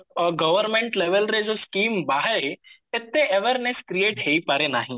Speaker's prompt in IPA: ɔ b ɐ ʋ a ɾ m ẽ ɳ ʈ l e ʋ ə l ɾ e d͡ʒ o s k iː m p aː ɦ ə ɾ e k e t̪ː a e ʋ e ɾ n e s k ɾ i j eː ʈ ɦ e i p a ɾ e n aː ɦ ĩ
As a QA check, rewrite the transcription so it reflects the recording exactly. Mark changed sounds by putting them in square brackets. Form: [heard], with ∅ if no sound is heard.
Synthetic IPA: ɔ [ɡ] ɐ ʋ [ə] ɾ m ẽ ɳ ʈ l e ʋ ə l ɾ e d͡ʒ o s k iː m [b] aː ɦ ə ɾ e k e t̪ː [e] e ʋ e ɾ n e s k ɾ i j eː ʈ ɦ e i p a ɾ e n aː ɦ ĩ